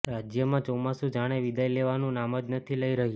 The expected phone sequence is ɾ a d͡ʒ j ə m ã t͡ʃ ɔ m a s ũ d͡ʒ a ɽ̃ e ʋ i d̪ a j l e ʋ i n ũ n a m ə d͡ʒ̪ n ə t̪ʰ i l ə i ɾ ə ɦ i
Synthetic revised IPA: ɾ a d͡ʒ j ə m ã t͡ʃ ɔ m a s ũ d͡ʒ a ɽ̃ e ʋ i d̪ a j l e ʋ a n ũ n a m ə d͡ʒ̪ n ə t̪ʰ i l ə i ɾ ə ɦ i